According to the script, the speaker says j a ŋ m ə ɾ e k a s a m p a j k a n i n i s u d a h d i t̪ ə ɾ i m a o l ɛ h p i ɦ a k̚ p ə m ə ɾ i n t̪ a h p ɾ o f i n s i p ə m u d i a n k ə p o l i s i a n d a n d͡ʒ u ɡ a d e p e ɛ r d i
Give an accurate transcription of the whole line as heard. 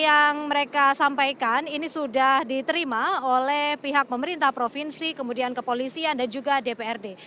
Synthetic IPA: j a ŋ m ə ɾ e k a s a m p a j k a n i n i s u d a h d i t̪ ə ɾ i m a o l ɛ h p i ɦ a k̚ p ə m ə ɾ i n t̪ a h p ɾ o f i n s i k ə m u d i a n k ə p o l i s i a n d a n d͡ʒ u ɡ a d e p e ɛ r d e